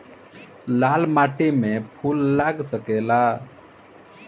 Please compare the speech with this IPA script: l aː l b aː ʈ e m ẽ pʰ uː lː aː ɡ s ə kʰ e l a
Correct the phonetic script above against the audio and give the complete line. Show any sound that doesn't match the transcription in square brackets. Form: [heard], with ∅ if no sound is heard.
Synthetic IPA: l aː l [m] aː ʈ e m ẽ pʰ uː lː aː ɡ s ə [k] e l a